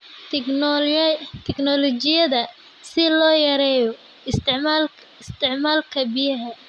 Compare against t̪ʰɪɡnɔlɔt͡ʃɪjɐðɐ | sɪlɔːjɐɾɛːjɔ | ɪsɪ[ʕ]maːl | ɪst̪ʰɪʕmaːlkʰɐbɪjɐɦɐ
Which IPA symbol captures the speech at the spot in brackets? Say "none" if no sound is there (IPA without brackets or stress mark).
ʕ